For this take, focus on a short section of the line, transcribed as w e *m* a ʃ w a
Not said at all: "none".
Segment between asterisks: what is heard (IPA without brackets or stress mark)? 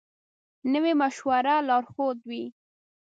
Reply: m